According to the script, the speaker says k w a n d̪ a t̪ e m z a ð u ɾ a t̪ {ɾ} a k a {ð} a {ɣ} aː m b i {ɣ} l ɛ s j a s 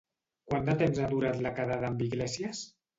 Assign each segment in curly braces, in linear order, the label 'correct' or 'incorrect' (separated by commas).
incorrect, correct, incorrect, correct